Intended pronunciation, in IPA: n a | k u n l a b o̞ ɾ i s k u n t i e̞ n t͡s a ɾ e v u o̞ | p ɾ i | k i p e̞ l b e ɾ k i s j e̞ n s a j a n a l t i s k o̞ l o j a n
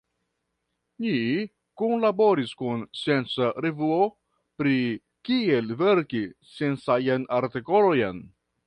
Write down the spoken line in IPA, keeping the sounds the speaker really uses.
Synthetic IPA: n i | k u n l a b o̞ ɾ i s k u n s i e̞ n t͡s a ɾ e v u o̞ | p ɾ i | k i e̞ l v e ɾ k i s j e̞ n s a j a n a ɾ t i k o̞ l o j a n

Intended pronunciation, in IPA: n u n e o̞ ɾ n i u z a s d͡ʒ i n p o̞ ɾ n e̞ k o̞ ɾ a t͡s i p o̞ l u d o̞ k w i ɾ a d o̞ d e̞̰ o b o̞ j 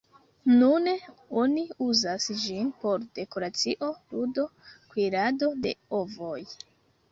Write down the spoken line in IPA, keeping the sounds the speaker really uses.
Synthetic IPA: n u n e o̞ n i u z a s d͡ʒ i n p o̞ ɾ d e̞ k o̞ ɾ a t͡s i ʔ o̞ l u d o̞ k w i ɾ a d o̞ d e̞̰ o v o̞ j

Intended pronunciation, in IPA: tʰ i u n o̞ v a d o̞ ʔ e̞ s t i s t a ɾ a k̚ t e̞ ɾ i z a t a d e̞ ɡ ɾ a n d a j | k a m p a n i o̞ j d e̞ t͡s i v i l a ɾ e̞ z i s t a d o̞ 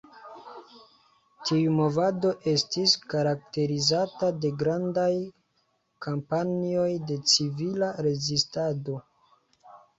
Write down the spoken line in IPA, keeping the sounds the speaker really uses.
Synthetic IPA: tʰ i u m o̞ v a d o̞ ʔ e̞ s t i s k a ɾ a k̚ t e̞ ɾ i z a t a d e̞ ɡ ɾ a n d a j | k a m p a n i o̞ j d e̞ t͡s i v i l a ɾ e̞ z i s t a d o̞

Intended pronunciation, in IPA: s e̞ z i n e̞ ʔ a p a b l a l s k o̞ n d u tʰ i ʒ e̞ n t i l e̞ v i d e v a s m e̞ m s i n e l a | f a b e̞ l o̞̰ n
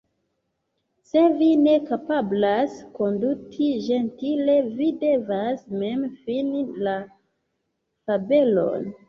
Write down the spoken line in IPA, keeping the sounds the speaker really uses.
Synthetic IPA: s e̞ v i n e̞ k a p a b l a s k o̞ n d u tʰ i ʒ e̞ n t i l e̞ v i d e v a s m e̞ m f i n i l a | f a b e̞ l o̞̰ n

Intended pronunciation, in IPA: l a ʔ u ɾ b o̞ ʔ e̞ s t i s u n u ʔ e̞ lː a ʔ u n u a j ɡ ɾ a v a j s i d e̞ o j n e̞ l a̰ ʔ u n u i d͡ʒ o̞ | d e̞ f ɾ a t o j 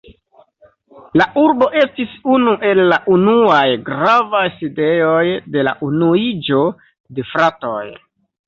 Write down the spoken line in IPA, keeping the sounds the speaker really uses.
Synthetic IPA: l a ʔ u ɾ b o̞ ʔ e̞ s t i s u n u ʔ e̞ lː a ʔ u n u a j ɡ ɾ a v a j s i d e̞ o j d e̞ l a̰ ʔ u n u i d͡ʒ o̞ | d e̞ f ɾ a t o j

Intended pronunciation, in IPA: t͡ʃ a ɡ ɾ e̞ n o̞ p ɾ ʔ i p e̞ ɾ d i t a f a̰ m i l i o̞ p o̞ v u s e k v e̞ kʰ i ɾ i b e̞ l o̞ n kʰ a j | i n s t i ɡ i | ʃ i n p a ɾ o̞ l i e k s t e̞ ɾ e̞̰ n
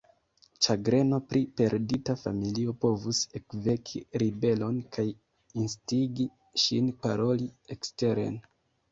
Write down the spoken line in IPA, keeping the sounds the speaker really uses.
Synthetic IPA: t͡ʃ a ɡ ɾ e̞ n o̞ p ɾ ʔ i p e̞ ɾ d i t a f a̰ m i l i o̞ p o̞ v u s e k v e̞ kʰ i ɾ i b e̞ l o̞ n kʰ a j | i n s t i ɡ i | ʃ i n p a ɾ o̞ l i e k s t e̞ ɾ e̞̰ n

